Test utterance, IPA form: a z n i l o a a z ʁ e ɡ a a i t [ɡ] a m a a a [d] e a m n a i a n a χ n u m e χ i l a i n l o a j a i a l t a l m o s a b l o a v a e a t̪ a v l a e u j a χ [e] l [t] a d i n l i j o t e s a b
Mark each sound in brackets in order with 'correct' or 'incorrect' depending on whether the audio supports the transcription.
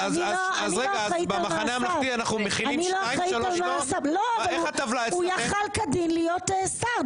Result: incorrect, incorrect, incorrect, incorrect

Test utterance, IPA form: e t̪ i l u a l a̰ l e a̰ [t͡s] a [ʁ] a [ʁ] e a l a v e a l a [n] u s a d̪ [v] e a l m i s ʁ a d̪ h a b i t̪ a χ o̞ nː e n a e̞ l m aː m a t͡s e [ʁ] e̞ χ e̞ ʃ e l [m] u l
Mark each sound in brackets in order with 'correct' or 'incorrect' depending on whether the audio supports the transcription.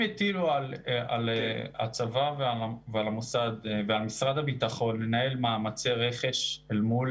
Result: correct, incorrect, incorrect, incorrect, correct, correct, correct

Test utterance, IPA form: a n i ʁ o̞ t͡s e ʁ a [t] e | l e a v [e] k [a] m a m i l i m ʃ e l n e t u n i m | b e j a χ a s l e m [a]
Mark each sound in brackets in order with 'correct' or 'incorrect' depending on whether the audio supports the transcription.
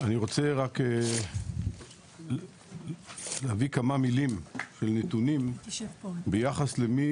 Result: incorrect, incorrect, correct, incorrect

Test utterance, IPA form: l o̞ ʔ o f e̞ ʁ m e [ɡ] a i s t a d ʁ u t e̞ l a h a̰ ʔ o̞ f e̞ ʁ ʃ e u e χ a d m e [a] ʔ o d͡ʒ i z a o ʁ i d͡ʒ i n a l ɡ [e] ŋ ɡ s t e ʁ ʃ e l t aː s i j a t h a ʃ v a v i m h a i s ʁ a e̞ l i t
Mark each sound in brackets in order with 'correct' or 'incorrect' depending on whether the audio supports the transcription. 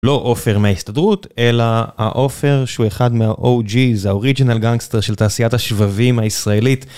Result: incorrect, correct, incorrect

